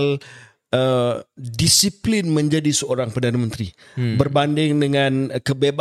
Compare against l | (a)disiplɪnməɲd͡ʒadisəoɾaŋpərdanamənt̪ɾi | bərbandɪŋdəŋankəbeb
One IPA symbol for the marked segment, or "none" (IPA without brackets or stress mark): ə